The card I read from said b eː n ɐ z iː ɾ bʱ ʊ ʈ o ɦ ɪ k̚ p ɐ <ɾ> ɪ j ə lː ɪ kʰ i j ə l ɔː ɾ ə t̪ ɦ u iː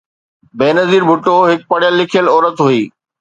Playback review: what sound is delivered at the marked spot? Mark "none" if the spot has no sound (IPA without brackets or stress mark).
ɽ